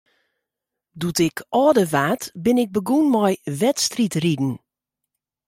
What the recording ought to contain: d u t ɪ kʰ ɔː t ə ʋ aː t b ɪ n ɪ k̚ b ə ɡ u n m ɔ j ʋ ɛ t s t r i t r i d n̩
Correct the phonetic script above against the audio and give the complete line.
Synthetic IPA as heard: d u t ɪ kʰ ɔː d ə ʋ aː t b ɪ n ɪ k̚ b ə ɡ u n m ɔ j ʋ ɛ t s t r i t r i d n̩